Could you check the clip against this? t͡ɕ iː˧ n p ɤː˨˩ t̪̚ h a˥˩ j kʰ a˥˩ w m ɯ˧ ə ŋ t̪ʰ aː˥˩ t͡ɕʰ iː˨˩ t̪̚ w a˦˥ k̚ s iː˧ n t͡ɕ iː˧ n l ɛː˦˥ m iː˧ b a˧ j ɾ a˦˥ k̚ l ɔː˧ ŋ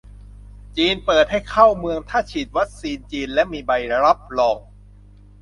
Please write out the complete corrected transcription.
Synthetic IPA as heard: t͡ɕ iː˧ n p ɤː˨˩ t̪̚ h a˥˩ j kʰ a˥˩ w m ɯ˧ ə ŋ t̪ʰ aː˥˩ t͡ɕʰ iː˨˩ t̪̚ w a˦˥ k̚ s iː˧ n t͡ɕ iː˧ n l ɛ˦˥ m iː˧ b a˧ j ɾ a˦˥ p̚ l ɔː˧ ŋ